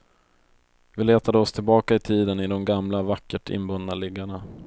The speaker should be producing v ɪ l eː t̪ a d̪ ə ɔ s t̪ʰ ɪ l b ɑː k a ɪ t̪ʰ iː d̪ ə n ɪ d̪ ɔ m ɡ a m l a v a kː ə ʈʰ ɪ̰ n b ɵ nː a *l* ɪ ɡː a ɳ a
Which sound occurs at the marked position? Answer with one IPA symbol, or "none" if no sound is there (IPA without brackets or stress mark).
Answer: l